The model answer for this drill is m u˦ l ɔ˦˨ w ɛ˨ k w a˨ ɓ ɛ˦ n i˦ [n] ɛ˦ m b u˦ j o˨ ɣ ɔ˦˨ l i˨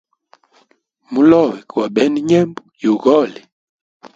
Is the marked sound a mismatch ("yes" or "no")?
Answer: yes